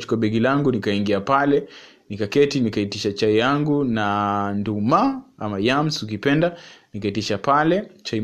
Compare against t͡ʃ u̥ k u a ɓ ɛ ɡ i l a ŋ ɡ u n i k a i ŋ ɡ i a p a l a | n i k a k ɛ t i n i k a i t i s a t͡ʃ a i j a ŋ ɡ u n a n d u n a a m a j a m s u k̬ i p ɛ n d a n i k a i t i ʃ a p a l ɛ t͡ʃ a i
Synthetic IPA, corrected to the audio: t͡ʃ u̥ k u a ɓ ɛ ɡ i l a ŋ ɡ u n i k a i ŋ ɡ i a p a l ɛ | n i k a k ɛ t i n i k a i t i ʃ a t͡ʃ a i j a ŋ ɡ u n a n d u m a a m a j a m s u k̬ i p ɛ n d a n i k a i t i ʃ a p a l ɛ t͡ʃ a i